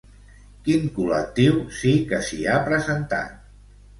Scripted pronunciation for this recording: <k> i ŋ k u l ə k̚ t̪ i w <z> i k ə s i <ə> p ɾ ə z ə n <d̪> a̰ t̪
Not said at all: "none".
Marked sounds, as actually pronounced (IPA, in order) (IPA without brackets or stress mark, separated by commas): k, s, a, t̪